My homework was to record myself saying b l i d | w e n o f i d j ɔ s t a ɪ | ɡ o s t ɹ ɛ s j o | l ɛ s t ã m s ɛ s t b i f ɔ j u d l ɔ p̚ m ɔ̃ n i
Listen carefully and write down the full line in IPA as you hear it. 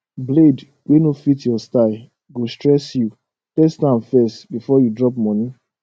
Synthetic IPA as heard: b l e d | w e n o f i t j ɔ s t a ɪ | ɡ o s t ɹ ɛ s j u | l ɛ s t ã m f ɛ s t b i f ɔ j u d ɹ ɔ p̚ m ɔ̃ n i

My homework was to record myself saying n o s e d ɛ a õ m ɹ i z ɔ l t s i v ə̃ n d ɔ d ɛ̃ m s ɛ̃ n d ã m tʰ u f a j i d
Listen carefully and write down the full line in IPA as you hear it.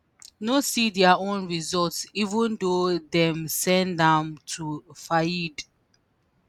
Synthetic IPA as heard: n o s i d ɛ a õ n ɹ i z ɔ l t s i v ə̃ n d o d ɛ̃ m s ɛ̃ n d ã m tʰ u f a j i d

